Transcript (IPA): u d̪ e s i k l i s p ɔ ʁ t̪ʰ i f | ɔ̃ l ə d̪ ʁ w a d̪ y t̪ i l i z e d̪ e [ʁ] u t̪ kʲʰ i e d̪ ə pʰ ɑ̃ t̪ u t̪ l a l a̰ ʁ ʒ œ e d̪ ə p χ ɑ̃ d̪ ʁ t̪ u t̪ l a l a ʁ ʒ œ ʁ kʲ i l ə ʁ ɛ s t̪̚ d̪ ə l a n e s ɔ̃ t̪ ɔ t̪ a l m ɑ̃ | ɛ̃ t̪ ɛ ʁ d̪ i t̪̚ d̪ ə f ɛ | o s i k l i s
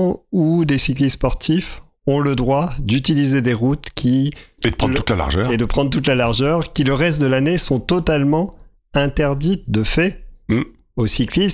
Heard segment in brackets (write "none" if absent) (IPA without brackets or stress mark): ʁ